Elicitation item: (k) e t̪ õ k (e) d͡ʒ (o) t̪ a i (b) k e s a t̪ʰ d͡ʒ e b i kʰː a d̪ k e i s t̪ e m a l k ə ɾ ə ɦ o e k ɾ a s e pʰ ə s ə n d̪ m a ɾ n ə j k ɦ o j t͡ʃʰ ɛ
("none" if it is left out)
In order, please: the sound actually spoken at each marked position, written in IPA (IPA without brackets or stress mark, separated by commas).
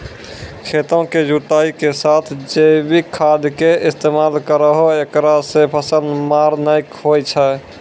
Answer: kʰ, e, u, none